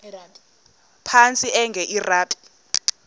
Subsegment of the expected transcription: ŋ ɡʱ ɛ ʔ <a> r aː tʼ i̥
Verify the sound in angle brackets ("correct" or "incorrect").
incorrect